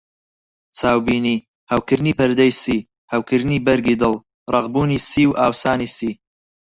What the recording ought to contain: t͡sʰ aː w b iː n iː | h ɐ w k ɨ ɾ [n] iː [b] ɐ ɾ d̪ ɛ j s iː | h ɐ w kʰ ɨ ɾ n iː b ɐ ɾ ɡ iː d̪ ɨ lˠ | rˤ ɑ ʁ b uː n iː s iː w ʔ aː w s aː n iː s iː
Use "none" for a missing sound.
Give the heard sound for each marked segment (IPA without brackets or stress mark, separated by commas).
n, p